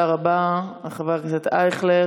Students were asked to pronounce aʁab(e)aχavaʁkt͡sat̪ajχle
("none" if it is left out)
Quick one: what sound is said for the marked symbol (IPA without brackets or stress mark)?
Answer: a